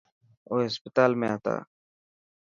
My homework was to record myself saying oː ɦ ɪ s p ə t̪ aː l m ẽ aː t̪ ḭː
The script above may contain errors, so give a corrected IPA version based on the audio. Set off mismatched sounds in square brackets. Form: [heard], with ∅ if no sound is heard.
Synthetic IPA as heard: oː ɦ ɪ s p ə t̪ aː l m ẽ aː t̪ [a̰ː]